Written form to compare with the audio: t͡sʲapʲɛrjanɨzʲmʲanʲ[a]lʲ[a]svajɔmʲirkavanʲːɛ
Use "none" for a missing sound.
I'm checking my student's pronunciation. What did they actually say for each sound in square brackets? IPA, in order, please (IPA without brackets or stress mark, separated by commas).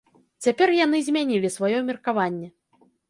i, i